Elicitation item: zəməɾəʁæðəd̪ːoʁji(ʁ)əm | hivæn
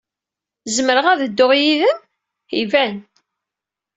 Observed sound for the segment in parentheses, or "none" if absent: ð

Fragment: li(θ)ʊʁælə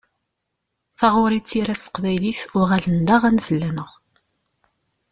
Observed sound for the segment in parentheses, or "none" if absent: θ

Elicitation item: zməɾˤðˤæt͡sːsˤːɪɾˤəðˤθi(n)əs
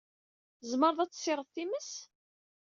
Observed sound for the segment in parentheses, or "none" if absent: m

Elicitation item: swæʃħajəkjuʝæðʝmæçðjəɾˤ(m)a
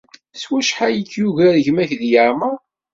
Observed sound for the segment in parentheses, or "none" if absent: m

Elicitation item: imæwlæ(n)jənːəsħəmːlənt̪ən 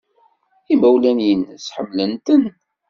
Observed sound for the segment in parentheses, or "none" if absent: n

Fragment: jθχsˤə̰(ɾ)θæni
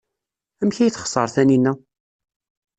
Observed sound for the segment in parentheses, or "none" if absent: ɾ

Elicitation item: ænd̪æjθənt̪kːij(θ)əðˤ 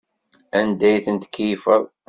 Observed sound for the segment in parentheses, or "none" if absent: f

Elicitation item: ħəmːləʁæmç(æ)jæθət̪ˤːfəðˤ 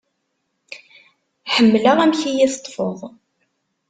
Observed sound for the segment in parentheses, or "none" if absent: i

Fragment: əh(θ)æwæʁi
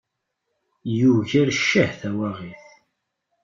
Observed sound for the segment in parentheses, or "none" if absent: θ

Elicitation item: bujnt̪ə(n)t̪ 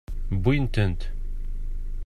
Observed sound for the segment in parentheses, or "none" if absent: n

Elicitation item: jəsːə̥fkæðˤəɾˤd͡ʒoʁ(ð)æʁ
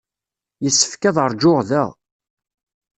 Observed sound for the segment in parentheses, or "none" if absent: ð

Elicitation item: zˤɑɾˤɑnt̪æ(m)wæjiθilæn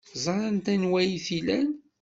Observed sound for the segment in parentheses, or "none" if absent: n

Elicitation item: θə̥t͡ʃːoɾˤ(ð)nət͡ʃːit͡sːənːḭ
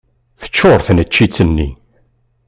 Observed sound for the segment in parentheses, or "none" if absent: θ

